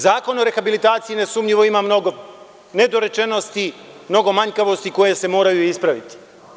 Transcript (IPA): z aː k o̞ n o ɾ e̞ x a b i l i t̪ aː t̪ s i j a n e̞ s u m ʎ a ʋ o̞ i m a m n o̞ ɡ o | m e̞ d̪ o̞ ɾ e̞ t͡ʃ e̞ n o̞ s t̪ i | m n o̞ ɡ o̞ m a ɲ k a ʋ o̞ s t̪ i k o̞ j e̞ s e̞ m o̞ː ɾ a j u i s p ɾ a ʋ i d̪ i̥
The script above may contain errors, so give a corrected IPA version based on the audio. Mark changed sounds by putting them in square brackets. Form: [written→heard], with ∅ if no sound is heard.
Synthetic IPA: z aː k o̞ n o ɾ e̞ x a b i l i t̪ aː t̪ s i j [a→i] n e̞ s u m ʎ [a→i] ʋ o̞ i m a m n o̞ ɡ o | [m→n] e̞ d̪ o̞ ɾ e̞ t͡ʃ e̞ n o̞ s t̪ i | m n o̞ ɡ o̞ m a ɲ k a ʋ o̞ s t̪ i k o̞ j e̞ s e̞ m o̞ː ɾ a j u i s p ɾ a ʋ i [d̪→t̪] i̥